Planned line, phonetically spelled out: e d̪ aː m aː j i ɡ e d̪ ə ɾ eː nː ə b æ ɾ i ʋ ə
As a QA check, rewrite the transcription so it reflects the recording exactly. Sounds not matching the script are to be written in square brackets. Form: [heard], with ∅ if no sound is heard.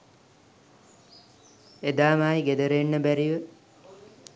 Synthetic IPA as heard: e d̪ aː m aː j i ɡ e d̪ ə ɾ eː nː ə b æ ɾ i ʋ ə